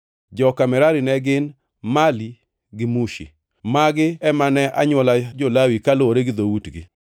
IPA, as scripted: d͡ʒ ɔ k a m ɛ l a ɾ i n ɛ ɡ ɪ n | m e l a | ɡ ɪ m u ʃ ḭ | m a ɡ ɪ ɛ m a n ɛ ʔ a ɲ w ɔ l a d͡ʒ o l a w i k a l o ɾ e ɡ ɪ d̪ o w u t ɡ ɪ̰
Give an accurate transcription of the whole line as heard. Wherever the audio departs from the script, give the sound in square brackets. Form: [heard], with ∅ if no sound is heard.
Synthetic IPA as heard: d͡ʒ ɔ k a m ɛ [ɾ] a ɾ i n ɛ ɡ ɪ n | m [a] l [i] | ɡ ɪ m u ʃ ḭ | m a ɡ ɪ ɛ m a n ɛ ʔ a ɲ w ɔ l a d͡ʒ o l a w i k a l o ɾ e ɡ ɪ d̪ o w u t ɡ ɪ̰

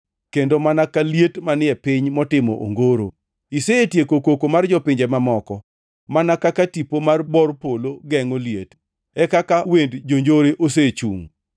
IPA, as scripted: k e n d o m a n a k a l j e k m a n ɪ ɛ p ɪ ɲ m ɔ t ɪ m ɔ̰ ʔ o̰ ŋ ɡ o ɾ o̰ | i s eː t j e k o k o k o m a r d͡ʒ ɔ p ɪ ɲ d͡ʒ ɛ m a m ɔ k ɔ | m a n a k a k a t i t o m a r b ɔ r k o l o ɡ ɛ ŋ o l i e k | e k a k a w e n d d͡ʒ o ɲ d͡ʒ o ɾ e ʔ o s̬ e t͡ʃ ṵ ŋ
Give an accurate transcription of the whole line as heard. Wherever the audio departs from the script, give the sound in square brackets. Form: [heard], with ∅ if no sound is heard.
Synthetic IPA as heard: k e n d o m a n a k a l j e [t] m a n ɪ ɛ p ɪ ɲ m ɔ t ɪ m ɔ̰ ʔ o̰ ŋ ɡ o ɾ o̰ | i s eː t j e k o k o k o m a r d͡ʒ ɔ p ɪ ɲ d͡ʒ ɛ m a m ɔ k ɔ | m a n a k a k a t i [p] o m a r b ɔ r [p] o l o ɡ ɛ ŋ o l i e [t] | [ɛ] k a k a w e n d d͡ʒ o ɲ d͡ʒ o ɾ e ʔ o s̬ e t͡ʃ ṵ ŋ

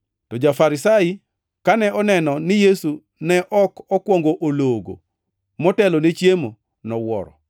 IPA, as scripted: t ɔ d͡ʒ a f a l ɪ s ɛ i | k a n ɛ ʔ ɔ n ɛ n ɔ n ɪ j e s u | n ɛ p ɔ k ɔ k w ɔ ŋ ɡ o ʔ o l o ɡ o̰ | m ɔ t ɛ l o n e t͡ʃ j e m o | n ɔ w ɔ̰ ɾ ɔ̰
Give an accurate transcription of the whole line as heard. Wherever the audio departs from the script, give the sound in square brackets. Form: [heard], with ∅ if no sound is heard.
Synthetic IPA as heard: t ɔ d͡ʒ a f a [ɾ] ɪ s [a] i | k a n ɛ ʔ ɔ n ɛ n ɔ n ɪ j e s u | n ɛ [ʔ] ɔ k ɔ k w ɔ ŋ ɡ o ʔ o l o ɡ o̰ | m ɔ t ɛ l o n e t͡ʃ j e m o | n ɔ w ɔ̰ ɾ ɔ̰

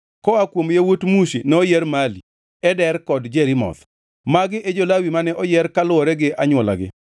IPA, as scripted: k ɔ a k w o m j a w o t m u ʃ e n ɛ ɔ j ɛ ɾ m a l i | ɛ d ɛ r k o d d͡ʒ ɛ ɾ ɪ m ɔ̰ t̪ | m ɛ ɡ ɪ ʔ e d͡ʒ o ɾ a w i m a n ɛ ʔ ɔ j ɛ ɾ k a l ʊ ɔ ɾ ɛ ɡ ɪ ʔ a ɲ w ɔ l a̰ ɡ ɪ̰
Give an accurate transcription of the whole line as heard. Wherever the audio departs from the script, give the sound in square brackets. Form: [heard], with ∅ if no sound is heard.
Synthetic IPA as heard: k ɔ a k w o m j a w o t m u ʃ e n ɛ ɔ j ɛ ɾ m a l i | ɛ d ɛ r k [ɔ] d d͡ʒ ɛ ɾ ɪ m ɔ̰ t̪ | m [a] ɡ ɪ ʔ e d͡ʒ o [l] a w i m a n ɛ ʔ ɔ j ɛ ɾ k a l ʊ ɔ ɾ ɛ ɡ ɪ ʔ a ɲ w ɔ l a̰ ɡ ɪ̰

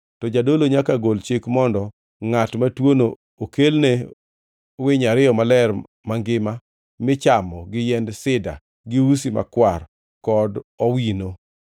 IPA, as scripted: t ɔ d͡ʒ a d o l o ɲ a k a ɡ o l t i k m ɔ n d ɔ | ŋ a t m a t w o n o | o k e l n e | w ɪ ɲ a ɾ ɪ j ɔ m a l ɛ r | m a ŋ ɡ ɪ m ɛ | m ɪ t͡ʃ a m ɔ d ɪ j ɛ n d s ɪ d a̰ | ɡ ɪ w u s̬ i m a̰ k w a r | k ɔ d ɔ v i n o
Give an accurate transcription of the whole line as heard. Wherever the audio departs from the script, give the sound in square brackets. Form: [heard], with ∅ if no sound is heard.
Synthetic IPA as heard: t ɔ d͡ʒ a d o l o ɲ a k a ɡ o l [t͡ʃ] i k m ɔ n d ɔ | ŋ a t m a t w o n o | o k e l n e | w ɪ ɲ a ɾ ɪ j ɔ m a l ɛ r | m a ŋ ɡ ɪ m [a] | m ɪ t͡ʃ a m ɔ [ɡ] ɪ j ɛ n d s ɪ d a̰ | ɡ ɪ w u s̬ i m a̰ k w a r | k ɔ d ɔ [w] i n o

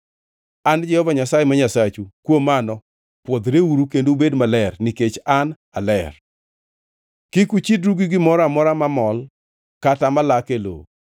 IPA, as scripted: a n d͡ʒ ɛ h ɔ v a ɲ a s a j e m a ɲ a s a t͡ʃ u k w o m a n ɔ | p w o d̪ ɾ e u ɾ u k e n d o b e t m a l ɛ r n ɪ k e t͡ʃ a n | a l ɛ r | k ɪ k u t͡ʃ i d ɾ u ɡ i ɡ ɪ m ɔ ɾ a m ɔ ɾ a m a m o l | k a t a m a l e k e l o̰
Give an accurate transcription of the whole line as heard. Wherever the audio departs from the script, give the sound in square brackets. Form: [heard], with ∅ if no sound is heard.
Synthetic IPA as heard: a n d͡ʒ ɛ h ɔ v a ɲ a s a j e m a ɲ a s a t͡ʃ u k w o m a n ɔ | p w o d̪ ɾ e u ɾ u k e n d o b e [d] m a l ɛ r n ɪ k e t͡ʃ a n | a l ɛ r | k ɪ k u t͡ʃ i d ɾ u ɡ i ɡ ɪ m ɔ ɾ a m ɔ ɾ a m a m [ɔ] l | k a t a m a l [a] k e l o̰

